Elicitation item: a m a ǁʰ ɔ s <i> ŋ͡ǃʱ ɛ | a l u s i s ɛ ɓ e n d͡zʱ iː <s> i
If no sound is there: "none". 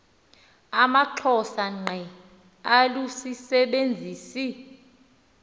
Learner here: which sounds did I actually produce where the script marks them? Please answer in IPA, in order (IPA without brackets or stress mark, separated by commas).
a, s